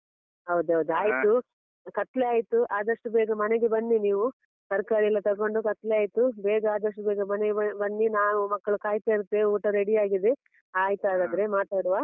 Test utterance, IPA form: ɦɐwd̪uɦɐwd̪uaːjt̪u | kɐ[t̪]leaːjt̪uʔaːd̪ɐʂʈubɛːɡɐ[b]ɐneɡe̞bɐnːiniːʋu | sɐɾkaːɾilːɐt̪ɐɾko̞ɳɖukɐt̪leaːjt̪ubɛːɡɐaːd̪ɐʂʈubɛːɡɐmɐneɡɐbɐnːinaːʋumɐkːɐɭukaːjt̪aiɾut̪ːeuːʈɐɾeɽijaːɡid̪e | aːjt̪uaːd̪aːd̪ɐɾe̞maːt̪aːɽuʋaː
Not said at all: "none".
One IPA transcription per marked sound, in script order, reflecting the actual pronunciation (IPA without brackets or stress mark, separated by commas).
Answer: t̪, m